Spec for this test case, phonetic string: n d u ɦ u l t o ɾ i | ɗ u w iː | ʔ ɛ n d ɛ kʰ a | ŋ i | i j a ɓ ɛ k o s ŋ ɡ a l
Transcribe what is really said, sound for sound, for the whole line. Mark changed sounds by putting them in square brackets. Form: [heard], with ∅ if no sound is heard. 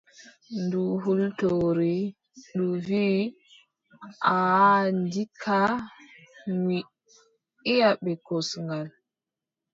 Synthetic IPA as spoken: n d u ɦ u l t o ɾ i | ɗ u [v] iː | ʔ [a] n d [i] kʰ a | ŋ i | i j a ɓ ɛ k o s ŋ ɡ a l

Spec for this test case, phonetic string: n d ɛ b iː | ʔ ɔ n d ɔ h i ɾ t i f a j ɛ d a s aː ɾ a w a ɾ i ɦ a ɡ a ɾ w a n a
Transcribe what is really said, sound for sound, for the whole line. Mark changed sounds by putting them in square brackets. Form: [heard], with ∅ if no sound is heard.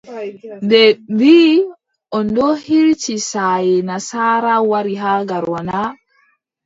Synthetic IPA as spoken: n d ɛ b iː | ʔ ɔ n d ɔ h i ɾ [t͡ʃ] i [s] a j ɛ [n] a s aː ɾ a w a ɾ i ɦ a ɡ a ɾ w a n a

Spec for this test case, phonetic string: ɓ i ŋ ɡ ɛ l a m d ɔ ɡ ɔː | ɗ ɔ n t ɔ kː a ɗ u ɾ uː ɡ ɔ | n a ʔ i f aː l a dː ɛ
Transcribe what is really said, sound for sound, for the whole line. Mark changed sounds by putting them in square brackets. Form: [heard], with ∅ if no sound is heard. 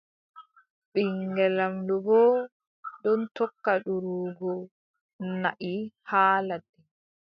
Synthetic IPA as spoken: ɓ i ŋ ɡ ɛ l a m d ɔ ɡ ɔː | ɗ ɔ n t ɔ kː a ɗ u ɾ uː ɡ ɔ | n a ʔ i [h] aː l a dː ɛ

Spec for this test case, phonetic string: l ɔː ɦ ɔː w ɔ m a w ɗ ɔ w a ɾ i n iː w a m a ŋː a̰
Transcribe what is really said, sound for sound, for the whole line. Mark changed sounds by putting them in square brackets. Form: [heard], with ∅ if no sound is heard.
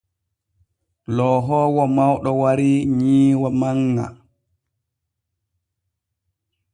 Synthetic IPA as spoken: l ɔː ɦ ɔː w ɔ m a w ɗ ɔ w a ɾ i [ɲ] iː w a m a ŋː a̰

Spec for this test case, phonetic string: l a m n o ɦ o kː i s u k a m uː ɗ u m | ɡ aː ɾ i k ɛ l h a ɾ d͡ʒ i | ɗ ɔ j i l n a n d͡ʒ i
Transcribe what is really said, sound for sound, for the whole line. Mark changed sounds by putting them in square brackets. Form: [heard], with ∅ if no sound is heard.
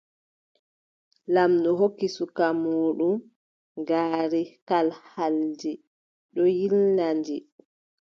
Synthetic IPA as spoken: l a m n [ɔ] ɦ o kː i s u k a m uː ɗ u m | ɡ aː ɾ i k [a] l h a [l] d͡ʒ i | ɗ ɔ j i l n a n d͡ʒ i

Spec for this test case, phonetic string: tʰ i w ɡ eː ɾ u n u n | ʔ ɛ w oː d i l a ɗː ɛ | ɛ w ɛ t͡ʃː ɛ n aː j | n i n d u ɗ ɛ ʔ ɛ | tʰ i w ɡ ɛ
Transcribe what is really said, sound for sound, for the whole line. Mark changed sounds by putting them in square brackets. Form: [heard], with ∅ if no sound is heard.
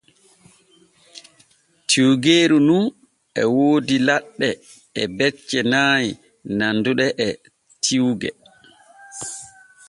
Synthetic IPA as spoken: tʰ i w ɡ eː ɾ u n u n | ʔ ɛ w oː d i l a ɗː ɛ | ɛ [b] ɛ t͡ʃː ɛ n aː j | n [a] n d u ɗ ɛ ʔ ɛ | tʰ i w ɡ ɛ

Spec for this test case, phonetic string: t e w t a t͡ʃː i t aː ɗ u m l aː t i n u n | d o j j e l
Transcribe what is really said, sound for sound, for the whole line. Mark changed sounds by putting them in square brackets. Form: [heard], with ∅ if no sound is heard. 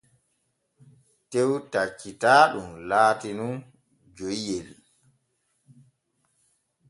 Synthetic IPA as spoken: t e w t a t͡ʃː i t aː ɗ u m l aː t i n u n | [d͡ʒ] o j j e l

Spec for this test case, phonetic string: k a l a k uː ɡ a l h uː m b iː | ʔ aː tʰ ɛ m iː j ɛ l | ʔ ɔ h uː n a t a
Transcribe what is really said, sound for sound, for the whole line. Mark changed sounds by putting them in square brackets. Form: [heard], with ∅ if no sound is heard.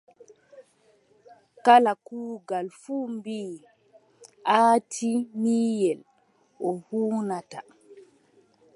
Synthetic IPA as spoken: k a l a k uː ɡ a l [f] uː m b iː | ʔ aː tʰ [i] m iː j ɛ l | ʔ ɔ h uː n a t a

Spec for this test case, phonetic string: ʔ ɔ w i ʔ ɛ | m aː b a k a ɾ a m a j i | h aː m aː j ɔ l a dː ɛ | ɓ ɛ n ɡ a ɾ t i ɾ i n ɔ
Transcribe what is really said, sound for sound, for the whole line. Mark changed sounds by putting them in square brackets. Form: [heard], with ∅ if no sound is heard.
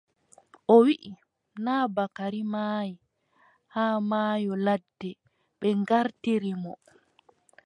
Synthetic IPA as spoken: ʔ ɔ w i ʔ [i] | [n] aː b a k a ɾ [i] m a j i | h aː m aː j ɔ l a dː ɛ | ɓ ɛ [ŋ] ɡ a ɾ t i ɾ i [m] ɔ

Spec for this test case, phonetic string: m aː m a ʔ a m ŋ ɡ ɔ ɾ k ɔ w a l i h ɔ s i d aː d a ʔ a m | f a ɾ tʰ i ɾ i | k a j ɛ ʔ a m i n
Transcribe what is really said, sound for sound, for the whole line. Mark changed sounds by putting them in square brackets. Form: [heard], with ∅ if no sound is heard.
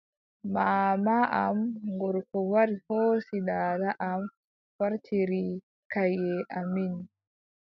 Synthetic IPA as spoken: m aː m a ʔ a m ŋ ɡ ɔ ɾ k ɔ w a [ɾ] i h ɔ s i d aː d a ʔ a m | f a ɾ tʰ i ɾ i | k a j ɛ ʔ a m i n

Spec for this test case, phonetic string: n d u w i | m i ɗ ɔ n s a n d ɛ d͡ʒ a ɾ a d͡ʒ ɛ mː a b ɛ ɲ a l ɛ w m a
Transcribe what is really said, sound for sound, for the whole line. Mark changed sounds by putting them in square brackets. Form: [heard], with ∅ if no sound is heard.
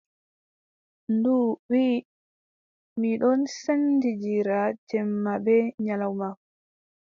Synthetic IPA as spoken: n d u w i | m i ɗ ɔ n s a n d [i] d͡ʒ [i] ɾ a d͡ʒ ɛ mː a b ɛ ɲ a l [a] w m a

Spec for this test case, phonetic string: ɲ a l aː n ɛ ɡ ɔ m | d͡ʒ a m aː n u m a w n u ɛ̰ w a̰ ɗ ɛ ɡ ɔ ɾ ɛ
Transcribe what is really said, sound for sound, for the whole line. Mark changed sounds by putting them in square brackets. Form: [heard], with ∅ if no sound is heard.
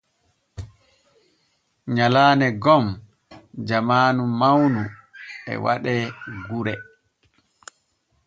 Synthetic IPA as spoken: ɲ a l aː n ɛ ɡ ɔ m | d͡ʒ a m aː n u m a w n u ɛ̰ w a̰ ɗ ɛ ɡ [u] ɾ ɛ

